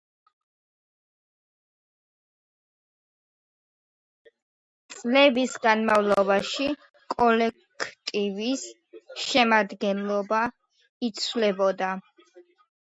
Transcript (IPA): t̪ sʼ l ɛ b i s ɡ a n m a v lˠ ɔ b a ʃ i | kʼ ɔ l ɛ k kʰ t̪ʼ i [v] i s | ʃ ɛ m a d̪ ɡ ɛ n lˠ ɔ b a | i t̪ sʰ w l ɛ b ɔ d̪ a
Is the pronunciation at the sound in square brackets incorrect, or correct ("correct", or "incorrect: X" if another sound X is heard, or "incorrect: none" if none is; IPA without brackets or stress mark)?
correct